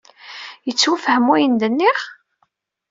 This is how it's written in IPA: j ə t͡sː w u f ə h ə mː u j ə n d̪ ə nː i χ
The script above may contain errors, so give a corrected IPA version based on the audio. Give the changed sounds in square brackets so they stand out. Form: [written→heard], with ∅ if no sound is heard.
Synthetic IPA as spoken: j ə t͡sː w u f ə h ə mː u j ə n d̪ ə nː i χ